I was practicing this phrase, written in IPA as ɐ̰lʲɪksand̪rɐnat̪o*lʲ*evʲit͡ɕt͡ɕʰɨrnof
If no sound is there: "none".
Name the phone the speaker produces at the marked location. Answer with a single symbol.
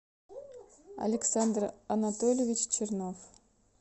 lʲ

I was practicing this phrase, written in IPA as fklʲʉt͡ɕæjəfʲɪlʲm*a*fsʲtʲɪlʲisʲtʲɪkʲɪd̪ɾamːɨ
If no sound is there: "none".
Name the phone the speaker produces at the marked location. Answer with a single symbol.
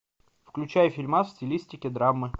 a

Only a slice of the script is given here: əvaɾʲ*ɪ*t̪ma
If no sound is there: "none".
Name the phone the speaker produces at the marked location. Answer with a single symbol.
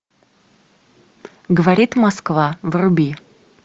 i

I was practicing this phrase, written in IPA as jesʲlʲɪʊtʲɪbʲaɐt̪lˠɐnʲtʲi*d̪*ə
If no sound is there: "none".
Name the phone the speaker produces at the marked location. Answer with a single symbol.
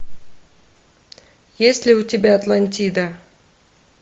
d̪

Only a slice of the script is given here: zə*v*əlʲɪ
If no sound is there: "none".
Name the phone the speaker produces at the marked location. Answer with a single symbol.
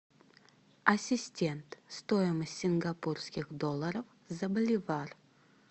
b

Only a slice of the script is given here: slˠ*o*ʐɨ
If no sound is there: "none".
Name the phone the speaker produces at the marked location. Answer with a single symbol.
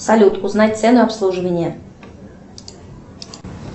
u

